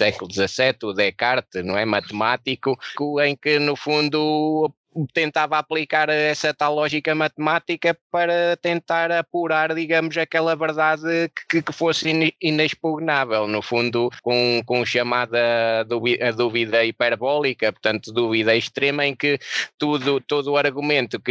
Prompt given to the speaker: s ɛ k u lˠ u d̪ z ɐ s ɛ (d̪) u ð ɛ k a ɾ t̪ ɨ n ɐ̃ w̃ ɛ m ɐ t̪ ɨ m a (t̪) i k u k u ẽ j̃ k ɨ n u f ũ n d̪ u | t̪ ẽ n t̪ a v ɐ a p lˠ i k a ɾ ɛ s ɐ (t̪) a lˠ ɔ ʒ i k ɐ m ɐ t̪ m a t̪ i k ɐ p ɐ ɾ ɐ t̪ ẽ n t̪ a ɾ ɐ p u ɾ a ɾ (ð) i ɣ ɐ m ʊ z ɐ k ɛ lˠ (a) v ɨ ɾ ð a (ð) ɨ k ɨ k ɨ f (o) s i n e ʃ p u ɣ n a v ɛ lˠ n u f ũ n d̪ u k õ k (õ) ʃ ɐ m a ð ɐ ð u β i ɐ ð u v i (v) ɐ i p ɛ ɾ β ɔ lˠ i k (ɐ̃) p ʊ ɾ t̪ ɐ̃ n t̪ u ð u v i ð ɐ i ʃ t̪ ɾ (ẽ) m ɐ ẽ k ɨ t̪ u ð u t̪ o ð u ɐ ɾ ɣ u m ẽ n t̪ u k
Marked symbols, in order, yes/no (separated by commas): no, yes, yes, yes, no, yes, yes, yes, no, no, no